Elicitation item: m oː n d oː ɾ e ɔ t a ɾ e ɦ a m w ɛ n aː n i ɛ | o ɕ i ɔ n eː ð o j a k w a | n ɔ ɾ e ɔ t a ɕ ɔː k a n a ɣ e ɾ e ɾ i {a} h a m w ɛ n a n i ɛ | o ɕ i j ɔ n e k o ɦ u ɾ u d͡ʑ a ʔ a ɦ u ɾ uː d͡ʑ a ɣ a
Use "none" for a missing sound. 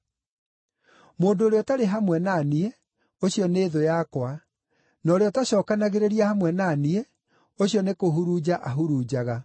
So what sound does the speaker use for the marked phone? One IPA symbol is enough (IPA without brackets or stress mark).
a